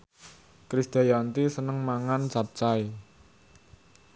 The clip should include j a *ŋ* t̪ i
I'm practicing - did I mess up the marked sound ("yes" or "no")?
yes